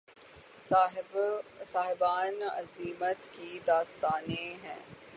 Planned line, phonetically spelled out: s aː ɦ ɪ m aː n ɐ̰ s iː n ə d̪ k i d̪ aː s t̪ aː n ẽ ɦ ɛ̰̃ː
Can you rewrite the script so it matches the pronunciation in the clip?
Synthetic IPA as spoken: s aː ɦ ɪ b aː n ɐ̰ z iː m ə t̪ k i d̪ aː s t̪ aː n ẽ ɦ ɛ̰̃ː